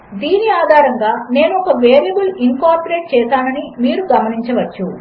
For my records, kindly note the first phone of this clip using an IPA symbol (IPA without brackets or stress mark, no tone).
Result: d̪